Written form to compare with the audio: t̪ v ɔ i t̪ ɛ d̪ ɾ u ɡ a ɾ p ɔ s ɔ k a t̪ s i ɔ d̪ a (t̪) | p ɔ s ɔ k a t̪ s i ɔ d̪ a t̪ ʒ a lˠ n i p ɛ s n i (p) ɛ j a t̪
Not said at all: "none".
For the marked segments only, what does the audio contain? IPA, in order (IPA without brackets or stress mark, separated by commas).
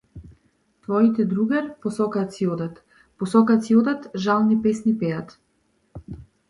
t̪, p